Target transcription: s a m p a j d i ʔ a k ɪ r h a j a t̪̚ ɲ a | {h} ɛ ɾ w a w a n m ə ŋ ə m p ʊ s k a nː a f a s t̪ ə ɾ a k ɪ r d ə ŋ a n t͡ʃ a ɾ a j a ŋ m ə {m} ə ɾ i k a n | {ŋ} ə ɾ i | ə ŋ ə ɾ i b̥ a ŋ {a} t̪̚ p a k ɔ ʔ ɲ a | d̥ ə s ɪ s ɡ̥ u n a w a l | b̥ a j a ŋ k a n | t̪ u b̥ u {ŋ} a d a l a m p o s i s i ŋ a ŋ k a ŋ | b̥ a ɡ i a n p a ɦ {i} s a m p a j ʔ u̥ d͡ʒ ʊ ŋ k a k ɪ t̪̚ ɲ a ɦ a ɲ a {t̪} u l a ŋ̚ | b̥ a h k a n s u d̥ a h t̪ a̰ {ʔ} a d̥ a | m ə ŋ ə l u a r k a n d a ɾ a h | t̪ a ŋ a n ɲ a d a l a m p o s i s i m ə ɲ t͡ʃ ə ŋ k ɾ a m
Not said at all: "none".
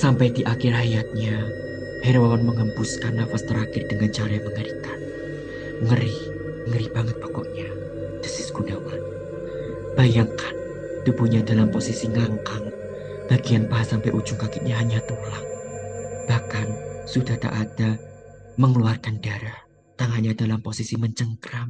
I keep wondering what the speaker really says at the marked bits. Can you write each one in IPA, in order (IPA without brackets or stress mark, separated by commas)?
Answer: h, ŋ, ŋ, ə, ɲ, a, t̪, ʔ